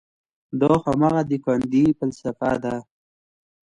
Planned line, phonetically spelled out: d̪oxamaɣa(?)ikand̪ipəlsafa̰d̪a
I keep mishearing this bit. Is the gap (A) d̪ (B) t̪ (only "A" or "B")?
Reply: A